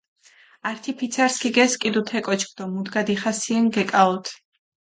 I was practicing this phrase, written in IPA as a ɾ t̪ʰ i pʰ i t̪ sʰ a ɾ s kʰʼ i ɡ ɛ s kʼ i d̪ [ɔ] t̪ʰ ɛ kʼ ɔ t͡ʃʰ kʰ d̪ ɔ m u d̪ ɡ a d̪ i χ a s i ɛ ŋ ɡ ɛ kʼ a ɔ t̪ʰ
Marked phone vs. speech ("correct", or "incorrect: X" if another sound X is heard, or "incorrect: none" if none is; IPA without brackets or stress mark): incorrect: u